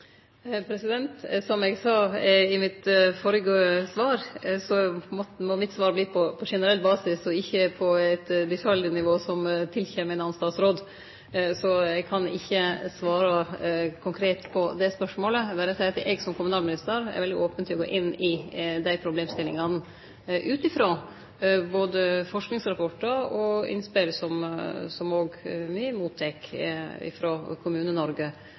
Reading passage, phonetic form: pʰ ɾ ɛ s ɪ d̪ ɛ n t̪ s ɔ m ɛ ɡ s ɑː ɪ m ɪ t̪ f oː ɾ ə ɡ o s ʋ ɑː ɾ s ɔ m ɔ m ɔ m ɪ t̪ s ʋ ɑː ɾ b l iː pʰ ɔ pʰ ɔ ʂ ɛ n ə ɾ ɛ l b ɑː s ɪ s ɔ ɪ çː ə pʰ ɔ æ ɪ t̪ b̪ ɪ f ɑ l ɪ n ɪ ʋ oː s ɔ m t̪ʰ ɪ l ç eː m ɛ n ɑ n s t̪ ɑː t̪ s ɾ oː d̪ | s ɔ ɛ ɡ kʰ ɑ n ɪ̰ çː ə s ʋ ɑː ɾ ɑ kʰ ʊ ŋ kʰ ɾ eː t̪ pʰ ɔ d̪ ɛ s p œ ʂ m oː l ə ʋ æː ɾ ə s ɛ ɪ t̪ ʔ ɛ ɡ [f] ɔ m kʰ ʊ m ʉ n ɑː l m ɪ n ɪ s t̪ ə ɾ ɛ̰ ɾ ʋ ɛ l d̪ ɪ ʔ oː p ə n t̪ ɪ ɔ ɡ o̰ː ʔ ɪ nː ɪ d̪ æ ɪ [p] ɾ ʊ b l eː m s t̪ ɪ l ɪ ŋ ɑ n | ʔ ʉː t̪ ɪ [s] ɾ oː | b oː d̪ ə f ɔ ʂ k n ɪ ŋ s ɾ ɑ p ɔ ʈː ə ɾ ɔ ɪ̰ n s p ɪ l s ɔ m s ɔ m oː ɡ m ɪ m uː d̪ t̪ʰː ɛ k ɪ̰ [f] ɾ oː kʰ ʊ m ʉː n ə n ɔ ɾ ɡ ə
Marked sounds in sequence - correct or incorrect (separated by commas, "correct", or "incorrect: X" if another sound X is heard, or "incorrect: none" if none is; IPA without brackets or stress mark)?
incorrect: s, incorrect: pʰ, incorrect: f, correct